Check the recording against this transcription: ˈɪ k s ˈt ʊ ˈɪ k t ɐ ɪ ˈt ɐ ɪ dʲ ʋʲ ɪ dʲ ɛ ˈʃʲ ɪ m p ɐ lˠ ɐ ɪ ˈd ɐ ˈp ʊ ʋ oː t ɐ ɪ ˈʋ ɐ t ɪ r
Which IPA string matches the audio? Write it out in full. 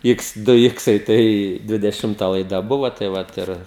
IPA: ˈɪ k s ˈd ʊ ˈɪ k s ɐ ɪ ˈt ɐ ɪ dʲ ʋʲ ɪ dʲ ɛ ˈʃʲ ɪ m t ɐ lˠ ɐ ɪ ˈd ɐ ˈb ʊ ʋ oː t ɐ ɪ ˈʋ ɐ t ɪ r